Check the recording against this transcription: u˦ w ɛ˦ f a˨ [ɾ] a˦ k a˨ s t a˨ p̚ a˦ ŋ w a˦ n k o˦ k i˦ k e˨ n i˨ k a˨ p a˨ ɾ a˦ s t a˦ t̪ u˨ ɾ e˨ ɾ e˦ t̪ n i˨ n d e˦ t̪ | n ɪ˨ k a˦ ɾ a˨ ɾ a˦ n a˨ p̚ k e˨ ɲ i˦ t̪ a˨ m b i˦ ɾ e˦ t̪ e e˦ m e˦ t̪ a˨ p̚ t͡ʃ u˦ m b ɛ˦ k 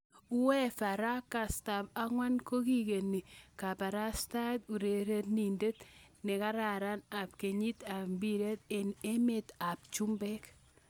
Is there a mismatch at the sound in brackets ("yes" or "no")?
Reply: no